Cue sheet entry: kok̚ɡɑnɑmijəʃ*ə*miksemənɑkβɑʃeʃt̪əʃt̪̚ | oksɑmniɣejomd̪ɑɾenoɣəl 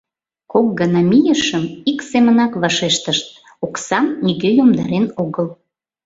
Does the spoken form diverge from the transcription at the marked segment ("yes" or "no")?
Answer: no